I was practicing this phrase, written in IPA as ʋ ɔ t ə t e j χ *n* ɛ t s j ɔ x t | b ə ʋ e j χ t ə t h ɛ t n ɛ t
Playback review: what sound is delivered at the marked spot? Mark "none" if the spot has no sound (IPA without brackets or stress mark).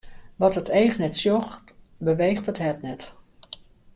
n